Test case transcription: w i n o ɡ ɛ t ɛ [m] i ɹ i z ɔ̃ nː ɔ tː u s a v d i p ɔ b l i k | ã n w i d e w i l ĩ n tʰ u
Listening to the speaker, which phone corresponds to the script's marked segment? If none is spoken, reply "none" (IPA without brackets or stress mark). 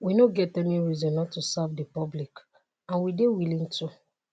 n